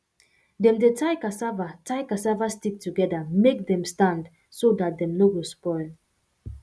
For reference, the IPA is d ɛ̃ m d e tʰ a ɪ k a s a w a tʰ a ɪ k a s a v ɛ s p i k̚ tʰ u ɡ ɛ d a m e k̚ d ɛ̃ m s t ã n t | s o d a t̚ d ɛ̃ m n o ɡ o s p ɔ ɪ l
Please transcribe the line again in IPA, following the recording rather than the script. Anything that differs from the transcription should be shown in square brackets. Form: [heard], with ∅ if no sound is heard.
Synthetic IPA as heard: d ɛ̃ m d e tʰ a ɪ k a s a [v] a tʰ a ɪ k a s a v [a] s [t] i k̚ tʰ u ɡ ɛ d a m e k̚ d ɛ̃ m s t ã n [d] | s o d a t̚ d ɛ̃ m n o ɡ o s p ɔ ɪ l